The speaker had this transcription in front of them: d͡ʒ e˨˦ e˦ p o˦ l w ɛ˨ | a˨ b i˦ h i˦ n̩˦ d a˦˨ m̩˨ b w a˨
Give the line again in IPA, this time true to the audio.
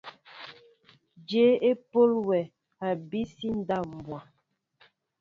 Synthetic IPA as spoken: d͡ʒ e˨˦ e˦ p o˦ l w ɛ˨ | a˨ b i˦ s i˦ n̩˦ d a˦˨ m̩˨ b w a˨